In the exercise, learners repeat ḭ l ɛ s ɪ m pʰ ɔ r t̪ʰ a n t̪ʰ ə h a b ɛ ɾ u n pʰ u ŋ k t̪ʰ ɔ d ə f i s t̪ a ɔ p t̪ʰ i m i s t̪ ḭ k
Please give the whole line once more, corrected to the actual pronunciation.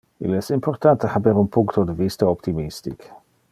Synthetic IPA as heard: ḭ l ɛ s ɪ m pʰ ɔ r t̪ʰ a n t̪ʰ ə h a b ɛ ɾ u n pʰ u ŋ k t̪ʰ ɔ d ə v i s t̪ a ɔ p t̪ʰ i m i s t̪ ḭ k